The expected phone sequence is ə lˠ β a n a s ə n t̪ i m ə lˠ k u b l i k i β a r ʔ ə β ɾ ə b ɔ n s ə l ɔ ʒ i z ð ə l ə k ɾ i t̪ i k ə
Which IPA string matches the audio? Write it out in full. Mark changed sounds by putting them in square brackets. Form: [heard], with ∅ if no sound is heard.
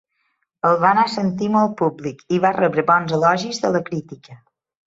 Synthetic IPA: ə lˠ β a n a s ə n t̪ i m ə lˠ [p] u b l i k i β a r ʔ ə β ɾ ə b ɔ n [z] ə l ɔ ʒ i z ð ə l ə k ɾ i t̪ i k ə